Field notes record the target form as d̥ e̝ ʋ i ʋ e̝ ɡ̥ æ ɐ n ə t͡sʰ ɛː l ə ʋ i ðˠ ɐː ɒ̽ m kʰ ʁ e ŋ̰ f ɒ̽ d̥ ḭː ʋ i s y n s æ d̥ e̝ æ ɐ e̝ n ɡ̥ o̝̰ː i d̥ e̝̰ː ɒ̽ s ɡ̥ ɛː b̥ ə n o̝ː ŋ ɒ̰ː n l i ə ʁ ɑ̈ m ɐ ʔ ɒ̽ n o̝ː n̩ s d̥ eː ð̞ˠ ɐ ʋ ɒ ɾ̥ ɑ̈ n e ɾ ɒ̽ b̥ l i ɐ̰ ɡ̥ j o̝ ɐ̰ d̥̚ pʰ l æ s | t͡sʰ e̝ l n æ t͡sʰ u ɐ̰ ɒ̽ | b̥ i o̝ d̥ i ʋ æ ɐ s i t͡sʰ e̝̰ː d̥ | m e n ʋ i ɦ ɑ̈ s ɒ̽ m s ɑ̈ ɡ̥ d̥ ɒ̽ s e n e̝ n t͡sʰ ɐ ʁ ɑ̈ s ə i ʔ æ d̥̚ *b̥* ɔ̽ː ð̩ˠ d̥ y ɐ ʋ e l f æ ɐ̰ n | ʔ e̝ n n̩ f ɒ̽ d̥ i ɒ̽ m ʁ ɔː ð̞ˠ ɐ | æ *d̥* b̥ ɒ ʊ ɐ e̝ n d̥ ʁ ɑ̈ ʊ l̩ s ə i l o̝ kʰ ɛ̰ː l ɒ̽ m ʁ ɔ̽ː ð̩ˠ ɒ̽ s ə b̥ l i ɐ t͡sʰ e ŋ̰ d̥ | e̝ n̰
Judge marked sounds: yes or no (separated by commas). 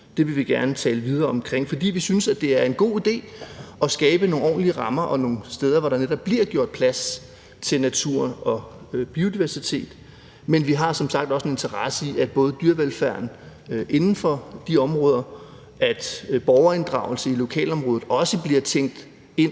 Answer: yes, yes